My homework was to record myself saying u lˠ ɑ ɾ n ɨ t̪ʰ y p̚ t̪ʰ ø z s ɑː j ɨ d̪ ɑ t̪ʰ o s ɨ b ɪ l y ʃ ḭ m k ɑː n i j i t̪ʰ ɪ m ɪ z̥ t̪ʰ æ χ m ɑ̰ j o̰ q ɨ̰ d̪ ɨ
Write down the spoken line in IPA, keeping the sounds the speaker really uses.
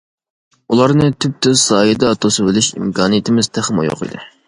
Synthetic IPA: u lˠ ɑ ɾ n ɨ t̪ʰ y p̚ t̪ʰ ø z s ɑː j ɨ d̪ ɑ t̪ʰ o s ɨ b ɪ l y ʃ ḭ m k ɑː n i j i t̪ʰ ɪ m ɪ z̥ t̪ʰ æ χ m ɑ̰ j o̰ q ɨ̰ d̪ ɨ